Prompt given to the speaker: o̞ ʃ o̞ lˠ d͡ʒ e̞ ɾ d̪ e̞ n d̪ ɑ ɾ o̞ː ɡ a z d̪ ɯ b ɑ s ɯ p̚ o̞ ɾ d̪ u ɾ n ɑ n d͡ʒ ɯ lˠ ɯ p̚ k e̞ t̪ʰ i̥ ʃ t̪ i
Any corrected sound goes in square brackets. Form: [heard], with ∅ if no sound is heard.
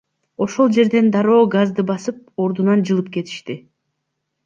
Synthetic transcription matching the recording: o̞ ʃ o̞ lˠ d͡ʒ e̞ ɾ d̪ e̞ n d̪ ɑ ɾ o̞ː ɡ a z d̪ ɯ b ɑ s ɯ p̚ o̞ ɾ d̪ u [∅] n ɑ n d͡ʒ ɯ lˠ ɯ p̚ k e̞ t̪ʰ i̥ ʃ t̪ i